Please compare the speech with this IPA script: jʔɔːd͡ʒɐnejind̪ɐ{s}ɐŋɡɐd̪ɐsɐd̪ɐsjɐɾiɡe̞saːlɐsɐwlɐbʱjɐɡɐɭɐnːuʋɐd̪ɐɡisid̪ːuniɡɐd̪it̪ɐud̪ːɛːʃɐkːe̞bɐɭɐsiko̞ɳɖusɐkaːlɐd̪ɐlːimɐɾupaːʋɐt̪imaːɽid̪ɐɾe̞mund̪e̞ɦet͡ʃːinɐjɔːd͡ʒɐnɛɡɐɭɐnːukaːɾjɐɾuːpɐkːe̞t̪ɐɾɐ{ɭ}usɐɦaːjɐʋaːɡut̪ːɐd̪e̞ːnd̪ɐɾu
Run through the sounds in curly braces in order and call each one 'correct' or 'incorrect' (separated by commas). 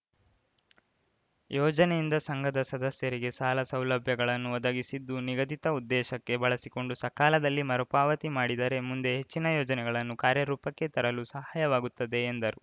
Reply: correct, incorrect